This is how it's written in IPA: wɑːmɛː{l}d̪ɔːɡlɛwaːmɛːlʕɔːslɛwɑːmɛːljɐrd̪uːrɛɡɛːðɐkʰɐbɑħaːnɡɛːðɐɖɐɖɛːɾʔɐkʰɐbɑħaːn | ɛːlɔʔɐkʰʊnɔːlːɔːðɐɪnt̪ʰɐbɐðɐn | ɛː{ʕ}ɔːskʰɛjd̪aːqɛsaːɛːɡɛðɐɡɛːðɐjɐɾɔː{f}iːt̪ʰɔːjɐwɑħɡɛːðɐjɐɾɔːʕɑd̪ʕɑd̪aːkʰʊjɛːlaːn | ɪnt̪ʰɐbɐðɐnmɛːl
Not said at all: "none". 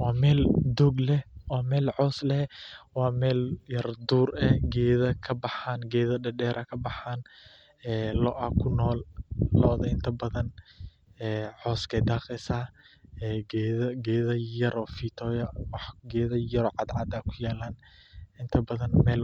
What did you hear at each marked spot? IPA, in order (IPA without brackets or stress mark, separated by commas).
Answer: l, ʕ, f